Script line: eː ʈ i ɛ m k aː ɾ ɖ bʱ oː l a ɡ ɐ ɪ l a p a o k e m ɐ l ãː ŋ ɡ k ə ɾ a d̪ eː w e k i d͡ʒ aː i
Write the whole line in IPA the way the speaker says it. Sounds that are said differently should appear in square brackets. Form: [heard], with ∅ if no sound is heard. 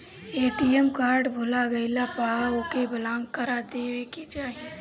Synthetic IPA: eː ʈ i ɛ m k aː ɾ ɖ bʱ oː l a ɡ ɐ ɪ l a p a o k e [b] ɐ l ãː ŋ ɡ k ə ɾ a d̪ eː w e k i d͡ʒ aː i